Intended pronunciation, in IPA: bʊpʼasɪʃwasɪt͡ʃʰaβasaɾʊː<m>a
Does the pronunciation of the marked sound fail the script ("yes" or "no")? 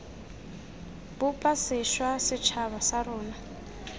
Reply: yes